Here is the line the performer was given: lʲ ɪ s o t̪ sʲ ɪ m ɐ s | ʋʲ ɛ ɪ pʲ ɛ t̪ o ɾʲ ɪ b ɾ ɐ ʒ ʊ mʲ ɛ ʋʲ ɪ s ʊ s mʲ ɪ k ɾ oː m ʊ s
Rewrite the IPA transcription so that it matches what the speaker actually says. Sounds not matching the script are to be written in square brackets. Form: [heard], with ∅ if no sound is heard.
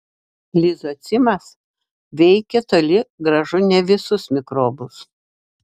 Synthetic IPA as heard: lʲ ɪ [z] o t̪ sʲ ɪ m ɐ s | ʋʲ ɛ ɪ [kʲ] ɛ t̪ o [lʲ] ɪ [ɡ] ɾ ɐ ʒ ʊ [nʲ] ɛ ʋʲ ɪ s ʊ s mʲ ɪ k ɾ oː [b] ʊ s